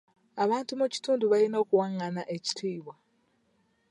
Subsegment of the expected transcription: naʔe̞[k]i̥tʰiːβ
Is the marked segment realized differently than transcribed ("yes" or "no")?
yes